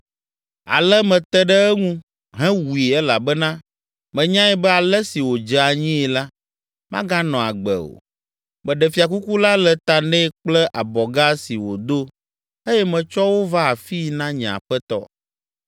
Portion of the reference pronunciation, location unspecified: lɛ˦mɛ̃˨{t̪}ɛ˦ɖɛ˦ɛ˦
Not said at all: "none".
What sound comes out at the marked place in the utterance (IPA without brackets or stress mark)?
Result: t̪